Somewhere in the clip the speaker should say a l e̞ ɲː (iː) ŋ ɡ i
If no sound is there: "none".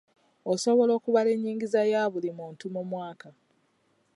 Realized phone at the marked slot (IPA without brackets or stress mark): iː